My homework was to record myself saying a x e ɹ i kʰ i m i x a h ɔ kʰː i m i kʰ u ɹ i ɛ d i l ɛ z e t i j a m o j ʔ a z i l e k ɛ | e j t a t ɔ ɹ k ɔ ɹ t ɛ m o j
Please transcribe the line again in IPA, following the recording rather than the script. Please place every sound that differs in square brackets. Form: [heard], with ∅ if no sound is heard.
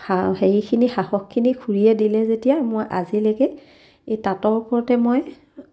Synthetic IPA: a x e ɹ i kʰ i [n] i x a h ɔ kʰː i [n] i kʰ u ɹ i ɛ d i l ɛ z e t i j a m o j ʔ a z i l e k ɛ | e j t a t ɔ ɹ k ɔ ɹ t ɛ m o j